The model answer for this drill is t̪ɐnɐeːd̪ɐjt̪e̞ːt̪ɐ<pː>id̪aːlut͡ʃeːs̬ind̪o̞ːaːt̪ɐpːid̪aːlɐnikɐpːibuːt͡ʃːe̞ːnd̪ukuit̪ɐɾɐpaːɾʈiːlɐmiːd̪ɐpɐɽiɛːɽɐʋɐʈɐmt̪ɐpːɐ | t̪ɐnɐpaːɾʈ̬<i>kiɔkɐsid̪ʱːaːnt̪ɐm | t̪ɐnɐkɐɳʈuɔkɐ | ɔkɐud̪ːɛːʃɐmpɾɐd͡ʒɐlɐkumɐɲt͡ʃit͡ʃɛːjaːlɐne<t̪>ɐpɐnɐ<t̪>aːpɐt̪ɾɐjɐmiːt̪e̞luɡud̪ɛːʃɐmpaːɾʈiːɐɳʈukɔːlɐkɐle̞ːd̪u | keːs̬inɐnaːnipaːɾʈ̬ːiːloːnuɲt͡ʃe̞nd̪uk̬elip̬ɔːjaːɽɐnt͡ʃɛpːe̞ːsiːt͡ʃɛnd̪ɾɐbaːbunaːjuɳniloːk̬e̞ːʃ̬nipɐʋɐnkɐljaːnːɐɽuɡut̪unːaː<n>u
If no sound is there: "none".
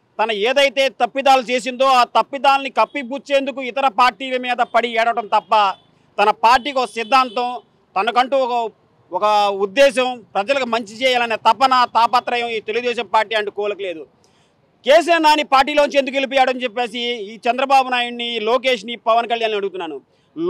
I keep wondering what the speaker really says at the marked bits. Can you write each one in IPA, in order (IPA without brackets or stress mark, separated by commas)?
pː, iː, t̪, t̪, n